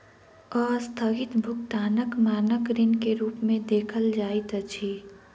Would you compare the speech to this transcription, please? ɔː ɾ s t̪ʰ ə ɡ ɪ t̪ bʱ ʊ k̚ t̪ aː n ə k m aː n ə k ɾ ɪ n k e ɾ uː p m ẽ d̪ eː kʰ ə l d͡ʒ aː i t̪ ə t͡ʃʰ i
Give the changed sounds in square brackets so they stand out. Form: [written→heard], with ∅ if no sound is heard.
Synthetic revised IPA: ɔː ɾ s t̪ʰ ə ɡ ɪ t̪ bʱ ʊ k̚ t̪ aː n ə k m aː n ə k ɾ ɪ n k e ɾ uː p m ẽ d̪ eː kʰ ə l d͡ʒ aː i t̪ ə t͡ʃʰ i